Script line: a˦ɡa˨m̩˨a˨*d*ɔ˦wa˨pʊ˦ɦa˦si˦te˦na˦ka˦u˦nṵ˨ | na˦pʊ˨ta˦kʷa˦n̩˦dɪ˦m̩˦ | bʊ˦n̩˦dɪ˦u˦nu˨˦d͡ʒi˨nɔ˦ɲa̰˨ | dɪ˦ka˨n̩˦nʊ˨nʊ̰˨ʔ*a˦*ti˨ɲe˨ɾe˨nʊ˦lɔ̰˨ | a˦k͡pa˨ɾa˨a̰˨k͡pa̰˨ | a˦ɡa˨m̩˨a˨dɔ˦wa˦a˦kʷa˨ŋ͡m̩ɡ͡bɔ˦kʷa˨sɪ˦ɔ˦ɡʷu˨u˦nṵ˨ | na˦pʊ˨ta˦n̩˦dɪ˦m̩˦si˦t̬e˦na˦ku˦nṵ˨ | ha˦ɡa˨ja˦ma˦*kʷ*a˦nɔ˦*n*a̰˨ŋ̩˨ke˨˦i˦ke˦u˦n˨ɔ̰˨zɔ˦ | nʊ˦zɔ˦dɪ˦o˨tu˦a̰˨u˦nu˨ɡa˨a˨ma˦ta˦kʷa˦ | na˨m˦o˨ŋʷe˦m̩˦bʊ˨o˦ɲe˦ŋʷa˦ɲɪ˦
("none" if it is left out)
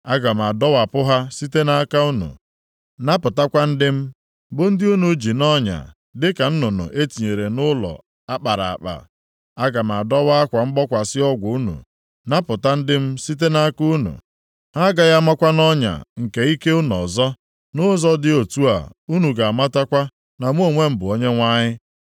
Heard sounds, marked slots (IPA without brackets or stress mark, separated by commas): d, e˦, kʷ, ɲ